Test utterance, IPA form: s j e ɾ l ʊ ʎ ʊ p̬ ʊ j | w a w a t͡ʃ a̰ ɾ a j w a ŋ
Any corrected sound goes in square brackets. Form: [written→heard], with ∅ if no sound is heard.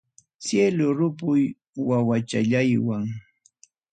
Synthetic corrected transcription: s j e [ɾ→∅] l ʊ [ʎ→ɾ] ʊ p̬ ʊ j | w a w a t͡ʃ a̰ [ɾ→ʎ] a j w a ŋ